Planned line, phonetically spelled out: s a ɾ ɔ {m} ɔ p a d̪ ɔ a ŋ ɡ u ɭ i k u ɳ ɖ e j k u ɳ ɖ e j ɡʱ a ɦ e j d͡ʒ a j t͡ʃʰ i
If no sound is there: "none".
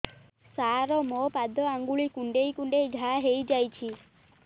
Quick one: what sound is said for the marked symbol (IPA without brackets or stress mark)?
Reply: m